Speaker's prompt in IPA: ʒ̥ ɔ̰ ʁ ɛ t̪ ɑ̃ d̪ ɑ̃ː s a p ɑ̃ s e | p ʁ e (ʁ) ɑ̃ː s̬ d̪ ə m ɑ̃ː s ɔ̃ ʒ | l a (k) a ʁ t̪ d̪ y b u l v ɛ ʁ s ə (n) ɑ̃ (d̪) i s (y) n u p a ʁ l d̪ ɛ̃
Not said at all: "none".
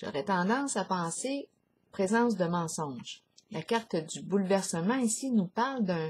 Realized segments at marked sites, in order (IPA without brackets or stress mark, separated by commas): z, k, m, none, i